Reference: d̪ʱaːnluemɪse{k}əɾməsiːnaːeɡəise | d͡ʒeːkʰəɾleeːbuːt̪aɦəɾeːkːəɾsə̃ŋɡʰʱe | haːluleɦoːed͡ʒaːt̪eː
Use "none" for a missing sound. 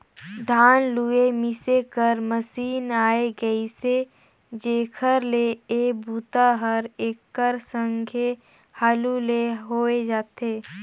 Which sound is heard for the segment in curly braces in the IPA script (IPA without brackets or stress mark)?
k